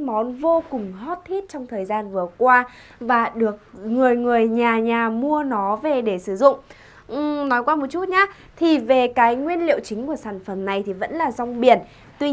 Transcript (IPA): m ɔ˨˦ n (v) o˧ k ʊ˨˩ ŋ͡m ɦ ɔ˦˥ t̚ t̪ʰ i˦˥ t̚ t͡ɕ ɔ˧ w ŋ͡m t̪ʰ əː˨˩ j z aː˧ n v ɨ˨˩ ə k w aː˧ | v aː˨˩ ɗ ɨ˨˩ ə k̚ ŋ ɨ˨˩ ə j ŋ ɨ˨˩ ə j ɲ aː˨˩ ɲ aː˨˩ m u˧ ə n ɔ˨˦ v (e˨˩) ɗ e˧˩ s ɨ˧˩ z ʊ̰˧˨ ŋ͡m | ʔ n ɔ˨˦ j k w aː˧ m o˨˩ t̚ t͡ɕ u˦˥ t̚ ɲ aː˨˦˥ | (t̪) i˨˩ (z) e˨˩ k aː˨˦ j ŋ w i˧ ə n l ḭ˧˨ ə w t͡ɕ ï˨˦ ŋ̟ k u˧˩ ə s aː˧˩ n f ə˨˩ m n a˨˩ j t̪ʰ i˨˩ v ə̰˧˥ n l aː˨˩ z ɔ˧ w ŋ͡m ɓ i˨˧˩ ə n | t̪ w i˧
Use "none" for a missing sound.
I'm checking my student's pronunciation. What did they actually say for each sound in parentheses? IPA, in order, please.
v, e˨˩, t̪ʰ, v

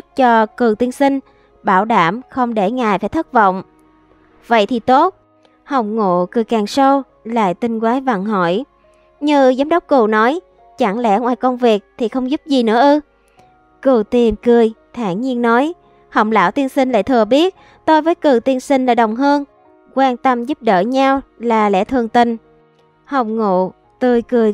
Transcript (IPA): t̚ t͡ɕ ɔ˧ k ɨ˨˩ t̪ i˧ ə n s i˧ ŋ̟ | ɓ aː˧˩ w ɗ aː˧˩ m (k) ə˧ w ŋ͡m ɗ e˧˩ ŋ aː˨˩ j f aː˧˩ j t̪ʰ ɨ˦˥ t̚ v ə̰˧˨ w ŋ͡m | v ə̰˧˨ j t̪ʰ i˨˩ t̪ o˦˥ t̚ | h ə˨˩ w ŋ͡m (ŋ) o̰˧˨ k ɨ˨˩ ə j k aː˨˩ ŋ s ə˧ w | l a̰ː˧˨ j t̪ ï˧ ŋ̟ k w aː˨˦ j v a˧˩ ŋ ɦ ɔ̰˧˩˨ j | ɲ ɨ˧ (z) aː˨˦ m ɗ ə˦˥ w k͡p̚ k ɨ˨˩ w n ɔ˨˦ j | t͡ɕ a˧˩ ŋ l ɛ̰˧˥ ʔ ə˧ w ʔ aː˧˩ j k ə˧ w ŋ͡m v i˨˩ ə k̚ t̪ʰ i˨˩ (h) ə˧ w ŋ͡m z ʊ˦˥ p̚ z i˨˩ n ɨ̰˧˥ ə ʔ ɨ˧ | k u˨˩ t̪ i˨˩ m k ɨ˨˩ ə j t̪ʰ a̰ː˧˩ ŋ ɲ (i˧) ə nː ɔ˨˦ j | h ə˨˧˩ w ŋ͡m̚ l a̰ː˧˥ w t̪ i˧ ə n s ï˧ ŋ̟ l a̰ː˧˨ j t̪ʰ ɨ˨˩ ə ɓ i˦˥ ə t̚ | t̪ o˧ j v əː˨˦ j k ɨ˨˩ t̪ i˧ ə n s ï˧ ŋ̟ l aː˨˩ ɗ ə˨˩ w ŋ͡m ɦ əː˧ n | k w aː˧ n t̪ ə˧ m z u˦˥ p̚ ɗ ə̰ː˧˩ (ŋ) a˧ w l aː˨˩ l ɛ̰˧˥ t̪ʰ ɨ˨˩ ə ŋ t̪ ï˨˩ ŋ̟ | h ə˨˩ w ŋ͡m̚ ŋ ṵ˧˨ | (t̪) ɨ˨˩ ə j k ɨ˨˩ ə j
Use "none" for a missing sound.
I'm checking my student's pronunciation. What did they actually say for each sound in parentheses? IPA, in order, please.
x, ŋ, z, x, i˧, ɲ, t̪

